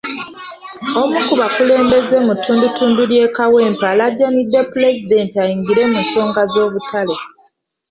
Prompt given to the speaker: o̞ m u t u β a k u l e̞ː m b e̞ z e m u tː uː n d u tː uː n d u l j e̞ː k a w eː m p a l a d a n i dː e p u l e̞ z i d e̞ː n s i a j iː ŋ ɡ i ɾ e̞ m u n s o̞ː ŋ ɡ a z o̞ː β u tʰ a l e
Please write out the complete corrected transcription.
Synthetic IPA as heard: o̞ m u k u β a k u l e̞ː m b e̞ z e m u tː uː n d u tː uː n d u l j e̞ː k a w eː m p a l a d a n i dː e p u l e̞ z i d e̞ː n t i a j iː ŋ ɡ i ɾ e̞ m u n s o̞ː ŋ ɡ a z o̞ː β u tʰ a l e